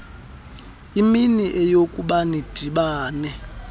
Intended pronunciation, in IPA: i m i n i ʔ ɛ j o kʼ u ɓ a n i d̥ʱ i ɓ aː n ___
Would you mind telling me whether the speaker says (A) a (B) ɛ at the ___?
B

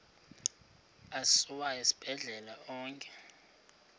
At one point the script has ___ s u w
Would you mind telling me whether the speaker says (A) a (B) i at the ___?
A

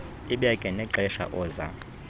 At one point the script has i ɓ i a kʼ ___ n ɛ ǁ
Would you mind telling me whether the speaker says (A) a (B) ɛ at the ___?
B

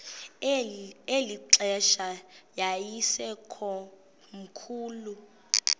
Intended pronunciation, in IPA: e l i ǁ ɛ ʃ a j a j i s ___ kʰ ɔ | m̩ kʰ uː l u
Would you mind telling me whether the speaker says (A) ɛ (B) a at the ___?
A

